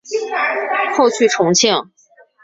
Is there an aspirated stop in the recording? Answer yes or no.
yes